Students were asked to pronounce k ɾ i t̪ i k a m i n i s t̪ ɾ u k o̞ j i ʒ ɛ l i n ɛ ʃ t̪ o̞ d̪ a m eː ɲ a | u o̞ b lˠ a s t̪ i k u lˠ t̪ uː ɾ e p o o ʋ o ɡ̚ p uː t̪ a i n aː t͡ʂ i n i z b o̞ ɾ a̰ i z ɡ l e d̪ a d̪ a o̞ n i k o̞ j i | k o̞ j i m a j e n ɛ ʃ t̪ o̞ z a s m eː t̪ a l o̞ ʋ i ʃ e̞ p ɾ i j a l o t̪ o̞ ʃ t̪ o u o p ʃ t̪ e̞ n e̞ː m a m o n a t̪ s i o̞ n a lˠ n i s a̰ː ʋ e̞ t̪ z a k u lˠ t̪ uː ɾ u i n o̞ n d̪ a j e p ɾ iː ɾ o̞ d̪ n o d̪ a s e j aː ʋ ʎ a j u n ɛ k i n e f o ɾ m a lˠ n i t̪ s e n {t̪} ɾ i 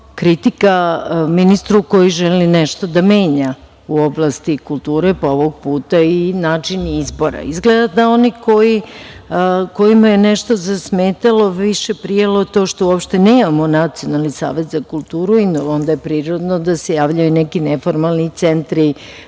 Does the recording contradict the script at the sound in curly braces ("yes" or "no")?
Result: no